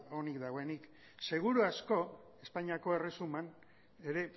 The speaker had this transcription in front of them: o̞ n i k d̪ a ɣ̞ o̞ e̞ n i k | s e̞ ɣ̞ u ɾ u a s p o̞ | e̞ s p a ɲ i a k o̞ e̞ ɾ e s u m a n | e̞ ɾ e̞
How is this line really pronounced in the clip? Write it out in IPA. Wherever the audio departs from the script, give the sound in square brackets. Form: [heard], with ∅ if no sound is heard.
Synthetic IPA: o̞ n i k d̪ a ɣ̞ o̞ e̞ n i k | s e̞ ɣ̞ u ɾ u a s [k] o̞ | e̞ s p a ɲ i a k o̞ e̞ [r] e s u m a n | e̞ ɾ e̞